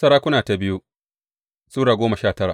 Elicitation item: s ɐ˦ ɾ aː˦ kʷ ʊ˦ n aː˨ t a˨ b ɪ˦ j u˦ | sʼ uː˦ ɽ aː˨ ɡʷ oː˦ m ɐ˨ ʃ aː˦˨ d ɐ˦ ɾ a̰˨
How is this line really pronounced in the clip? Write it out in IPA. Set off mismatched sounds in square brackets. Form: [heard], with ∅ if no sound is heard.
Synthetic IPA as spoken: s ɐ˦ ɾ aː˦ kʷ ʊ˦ n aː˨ t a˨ b ɪ˦ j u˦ | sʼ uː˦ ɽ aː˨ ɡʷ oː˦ m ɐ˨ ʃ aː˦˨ [t] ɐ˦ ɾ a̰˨

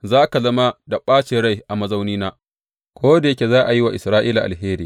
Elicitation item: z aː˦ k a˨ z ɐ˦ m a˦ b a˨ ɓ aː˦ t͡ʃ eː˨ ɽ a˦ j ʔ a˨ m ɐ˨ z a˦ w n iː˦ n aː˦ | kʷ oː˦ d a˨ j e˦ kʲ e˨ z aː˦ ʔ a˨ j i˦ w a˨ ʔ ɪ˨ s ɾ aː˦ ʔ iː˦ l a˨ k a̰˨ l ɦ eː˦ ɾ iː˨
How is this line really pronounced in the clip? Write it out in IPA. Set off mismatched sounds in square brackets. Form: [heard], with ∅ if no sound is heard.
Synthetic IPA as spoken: z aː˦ k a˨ z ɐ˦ m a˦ [d] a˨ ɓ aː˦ t͡ʃ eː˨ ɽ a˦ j ʔ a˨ m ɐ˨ z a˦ w n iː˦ n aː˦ | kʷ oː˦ d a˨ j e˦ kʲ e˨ z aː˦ ʔ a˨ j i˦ w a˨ ʔ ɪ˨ s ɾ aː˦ ʔ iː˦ l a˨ [ʔ] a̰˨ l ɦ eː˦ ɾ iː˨

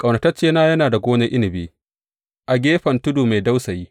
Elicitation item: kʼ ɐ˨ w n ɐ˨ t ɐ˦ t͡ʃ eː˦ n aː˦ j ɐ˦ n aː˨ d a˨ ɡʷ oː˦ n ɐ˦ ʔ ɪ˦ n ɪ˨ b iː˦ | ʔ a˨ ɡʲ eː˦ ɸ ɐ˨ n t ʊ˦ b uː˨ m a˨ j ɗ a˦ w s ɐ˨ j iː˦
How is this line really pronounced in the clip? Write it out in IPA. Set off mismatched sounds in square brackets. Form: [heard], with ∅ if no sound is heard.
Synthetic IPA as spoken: kʼ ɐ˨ w n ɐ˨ t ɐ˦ t͡ʃ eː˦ n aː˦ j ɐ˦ n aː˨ d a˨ ɡʷ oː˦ n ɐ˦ ʔ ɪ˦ n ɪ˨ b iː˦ | ʔ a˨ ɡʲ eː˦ ɸ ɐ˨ n t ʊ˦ [d] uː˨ m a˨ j [d] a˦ w s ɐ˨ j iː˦

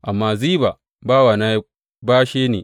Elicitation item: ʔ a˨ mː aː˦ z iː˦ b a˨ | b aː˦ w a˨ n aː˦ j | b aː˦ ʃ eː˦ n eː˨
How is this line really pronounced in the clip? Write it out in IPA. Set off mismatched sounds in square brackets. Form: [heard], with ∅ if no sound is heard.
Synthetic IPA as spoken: ʔ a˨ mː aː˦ z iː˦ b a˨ | b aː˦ w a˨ n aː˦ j | b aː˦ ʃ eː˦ n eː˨

